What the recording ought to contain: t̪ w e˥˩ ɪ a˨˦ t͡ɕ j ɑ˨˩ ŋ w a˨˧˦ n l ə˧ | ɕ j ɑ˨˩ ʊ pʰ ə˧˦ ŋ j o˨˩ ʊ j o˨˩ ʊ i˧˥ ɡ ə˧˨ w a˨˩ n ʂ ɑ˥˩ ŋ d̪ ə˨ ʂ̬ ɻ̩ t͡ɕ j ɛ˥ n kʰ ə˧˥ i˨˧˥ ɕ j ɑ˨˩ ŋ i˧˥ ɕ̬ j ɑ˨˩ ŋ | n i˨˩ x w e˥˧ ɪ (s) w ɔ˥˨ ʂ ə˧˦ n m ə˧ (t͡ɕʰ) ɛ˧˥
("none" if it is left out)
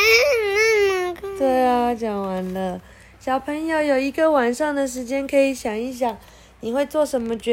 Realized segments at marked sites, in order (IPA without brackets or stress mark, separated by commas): t͡s, t͡ɕ